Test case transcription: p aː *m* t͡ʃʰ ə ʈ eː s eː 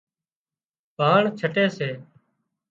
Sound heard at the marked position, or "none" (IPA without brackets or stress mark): ɳ